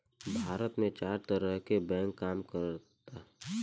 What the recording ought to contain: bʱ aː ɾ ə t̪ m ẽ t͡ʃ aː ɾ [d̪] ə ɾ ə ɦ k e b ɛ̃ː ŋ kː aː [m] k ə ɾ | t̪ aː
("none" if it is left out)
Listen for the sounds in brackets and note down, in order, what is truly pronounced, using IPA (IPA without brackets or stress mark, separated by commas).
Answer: t̪, m